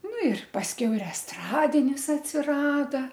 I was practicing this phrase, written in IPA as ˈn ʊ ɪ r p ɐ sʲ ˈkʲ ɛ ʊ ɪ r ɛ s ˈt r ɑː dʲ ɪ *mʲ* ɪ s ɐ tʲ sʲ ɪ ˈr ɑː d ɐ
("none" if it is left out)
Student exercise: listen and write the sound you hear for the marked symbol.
nʲ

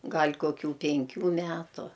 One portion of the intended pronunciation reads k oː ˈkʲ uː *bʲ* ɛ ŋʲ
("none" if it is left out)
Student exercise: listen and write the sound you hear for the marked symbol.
pʲ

